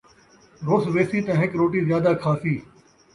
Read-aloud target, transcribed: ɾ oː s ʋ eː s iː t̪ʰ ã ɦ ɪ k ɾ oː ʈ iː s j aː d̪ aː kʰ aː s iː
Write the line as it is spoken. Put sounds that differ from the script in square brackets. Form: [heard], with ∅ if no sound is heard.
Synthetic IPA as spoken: ɾ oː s ʋ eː s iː [t̪] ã ɦ ɪ k ɾ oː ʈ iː [z] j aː d̪ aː kʰ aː s iː